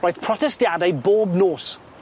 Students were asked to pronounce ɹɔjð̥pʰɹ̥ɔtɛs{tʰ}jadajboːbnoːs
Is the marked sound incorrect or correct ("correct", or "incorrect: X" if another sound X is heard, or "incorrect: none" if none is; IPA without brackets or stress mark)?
incorrect: t